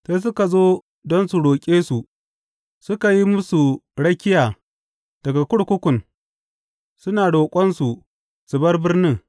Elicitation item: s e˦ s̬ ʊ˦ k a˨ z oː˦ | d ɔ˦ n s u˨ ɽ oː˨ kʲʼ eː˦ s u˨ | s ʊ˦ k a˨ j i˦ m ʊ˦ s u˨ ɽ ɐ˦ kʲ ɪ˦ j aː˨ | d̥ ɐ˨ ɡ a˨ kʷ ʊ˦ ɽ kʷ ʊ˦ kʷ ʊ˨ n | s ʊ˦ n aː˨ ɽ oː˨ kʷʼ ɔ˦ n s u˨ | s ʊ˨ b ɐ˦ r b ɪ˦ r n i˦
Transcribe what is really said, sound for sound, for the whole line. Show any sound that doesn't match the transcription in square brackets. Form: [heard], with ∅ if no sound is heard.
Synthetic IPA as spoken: s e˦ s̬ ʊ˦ k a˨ z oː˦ | d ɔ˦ n s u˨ ɽ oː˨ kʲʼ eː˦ s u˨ | s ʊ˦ k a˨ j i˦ m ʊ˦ s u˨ ɽ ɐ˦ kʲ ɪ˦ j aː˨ | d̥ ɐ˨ ɡ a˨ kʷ ʊ˦ ɽ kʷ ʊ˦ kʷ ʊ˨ n | s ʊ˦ n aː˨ ɽ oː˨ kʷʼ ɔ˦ n s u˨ | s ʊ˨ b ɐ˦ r b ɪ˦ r n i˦